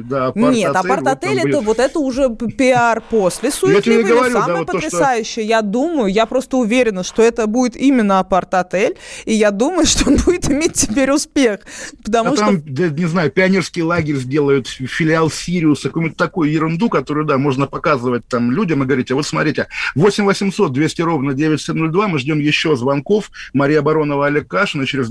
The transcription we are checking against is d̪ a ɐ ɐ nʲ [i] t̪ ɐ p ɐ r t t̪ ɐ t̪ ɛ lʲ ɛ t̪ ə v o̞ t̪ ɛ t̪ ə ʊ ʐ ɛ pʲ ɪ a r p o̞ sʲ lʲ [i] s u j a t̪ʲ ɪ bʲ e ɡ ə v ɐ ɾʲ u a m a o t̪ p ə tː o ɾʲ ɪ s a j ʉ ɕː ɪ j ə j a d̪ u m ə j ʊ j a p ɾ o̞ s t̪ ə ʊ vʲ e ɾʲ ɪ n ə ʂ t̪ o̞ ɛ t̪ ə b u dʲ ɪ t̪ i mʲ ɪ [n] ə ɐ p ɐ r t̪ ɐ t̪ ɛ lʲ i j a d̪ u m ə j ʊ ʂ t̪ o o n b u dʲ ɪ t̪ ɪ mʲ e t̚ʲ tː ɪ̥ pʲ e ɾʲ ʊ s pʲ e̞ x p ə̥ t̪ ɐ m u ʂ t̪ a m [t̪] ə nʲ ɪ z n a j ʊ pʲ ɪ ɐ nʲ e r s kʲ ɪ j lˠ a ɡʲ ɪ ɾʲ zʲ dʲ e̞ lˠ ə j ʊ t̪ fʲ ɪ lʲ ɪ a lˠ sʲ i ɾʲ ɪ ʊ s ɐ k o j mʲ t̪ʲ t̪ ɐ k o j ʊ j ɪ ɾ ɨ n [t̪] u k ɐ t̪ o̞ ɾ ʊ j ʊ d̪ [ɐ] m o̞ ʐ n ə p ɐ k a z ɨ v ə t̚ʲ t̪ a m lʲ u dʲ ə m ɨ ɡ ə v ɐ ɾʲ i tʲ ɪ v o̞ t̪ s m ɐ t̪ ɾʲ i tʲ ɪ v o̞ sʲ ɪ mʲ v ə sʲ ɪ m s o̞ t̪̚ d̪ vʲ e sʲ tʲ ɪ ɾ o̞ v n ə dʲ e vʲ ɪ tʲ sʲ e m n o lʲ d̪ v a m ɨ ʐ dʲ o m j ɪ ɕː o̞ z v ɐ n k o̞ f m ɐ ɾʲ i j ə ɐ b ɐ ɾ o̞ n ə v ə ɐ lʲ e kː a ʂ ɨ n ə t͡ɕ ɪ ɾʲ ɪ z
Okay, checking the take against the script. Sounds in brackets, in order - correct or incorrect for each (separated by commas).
incorrect, incorrect, incorrect, incorrect, incorrect, incorrect